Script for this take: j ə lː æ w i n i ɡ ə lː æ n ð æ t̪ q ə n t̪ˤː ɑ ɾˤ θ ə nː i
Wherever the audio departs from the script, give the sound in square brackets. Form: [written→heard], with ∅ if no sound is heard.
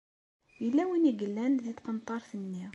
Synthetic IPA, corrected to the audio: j ə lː æ w i n i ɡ ə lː æ n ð [æ→i] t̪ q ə n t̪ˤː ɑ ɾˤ θ ə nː i